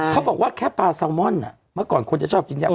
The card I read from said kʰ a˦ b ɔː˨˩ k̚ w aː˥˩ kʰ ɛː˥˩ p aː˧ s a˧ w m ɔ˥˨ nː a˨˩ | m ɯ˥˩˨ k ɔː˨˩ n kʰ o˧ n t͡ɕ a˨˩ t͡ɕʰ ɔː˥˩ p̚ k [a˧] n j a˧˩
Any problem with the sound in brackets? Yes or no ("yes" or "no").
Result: yes